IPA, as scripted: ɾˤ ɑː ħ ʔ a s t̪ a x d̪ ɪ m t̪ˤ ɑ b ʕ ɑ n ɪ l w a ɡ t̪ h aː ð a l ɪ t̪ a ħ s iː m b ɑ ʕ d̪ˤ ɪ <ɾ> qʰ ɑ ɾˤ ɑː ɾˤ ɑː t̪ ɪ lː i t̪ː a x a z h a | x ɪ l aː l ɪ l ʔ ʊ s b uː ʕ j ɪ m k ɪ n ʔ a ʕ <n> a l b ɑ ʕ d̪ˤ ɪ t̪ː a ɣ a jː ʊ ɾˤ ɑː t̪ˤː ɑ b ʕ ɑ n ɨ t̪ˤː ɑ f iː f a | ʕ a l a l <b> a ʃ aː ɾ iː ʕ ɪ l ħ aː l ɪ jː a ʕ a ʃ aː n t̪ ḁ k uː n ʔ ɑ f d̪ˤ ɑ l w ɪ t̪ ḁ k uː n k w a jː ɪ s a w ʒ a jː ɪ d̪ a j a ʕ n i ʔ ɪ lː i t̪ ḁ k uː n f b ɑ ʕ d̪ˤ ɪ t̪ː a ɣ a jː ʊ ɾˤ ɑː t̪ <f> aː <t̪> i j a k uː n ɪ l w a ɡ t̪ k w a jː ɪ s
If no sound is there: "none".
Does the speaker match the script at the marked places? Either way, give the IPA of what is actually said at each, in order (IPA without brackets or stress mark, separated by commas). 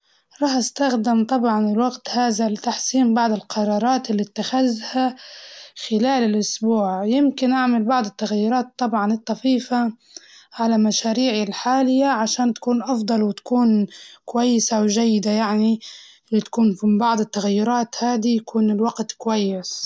l, m, m, h, d̪